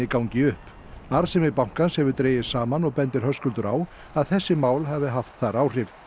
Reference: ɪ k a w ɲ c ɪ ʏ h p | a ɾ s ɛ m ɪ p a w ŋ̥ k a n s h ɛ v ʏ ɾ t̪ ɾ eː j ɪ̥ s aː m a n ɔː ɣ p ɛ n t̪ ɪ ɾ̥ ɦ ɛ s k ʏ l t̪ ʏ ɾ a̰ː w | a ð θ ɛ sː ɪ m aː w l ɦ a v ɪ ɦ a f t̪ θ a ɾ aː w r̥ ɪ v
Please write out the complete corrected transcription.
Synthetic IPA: ɪ k a w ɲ c ɪ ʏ h p | a ɾ s ɛ m ɪ p a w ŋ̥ k a n s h ɛ v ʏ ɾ t̪ ɾ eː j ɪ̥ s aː m a n ɔ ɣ p ɛ n t̪ ɪ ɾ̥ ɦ œ s k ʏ l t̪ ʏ ɾ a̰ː w | a ð θ ɛ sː ɪ m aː w l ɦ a v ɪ ɦ a f t̪ θ a ɾ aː w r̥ ɪ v